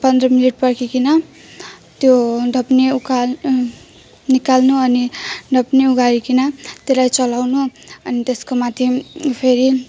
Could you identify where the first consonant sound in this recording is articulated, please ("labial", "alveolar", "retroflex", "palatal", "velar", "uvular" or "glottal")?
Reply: labial